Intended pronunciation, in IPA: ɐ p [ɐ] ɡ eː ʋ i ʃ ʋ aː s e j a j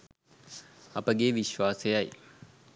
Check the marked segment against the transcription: incorrect: ə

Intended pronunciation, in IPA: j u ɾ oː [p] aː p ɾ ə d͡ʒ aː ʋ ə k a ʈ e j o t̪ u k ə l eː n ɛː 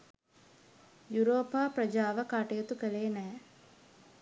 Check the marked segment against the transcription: correct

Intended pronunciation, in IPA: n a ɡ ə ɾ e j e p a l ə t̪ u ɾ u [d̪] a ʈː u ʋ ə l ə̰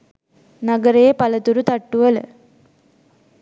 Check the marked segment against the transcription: incorrect: t̪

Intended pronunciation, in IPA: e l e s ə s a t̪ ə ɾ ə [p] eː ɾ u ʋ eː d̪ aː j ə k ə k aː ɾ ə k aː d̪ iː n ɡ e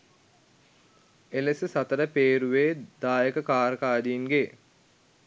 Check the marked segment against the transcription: correct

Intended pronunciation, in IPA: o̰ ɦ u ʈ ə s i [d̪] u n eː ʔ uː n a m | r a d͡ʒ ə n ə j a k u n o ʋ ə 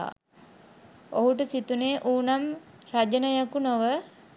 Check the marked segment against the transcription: incorrect: t̪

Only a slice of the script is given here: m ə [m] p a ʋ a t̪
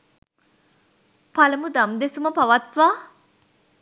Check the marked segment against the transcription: incorrect: none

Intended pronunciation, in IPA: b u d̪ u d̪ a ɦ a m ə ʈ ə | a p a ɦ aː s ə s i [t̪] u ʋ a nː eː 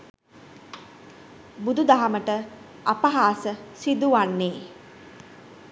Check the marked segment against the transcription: incorrect: d̪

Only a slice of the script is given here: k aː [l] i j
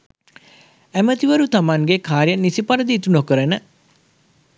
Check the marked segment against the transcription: incorrect: ɾ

